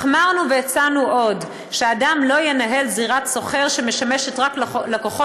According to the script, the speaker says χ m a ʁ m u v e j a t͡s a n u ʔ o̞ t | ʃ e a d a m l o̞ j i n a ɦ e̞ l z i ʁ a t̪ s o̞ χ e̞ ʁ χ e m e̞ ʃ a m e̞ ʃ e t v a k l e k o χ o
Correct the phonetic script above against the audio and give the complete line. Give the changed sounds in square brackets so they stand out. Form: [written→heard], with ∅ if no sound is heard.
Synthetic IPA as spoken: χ m a ʁ [m→n] u v e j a t͡s a n u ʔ o̞ [t→d] | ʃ e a d a m l o̞ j [i→e] n a ɦ e̞ l z i ʁ a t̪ s o̞ χ e̞ ʁ [χ→ʃ] e m e̞ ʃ a m e̞ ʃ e t [v→ʁ] a k l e k o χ o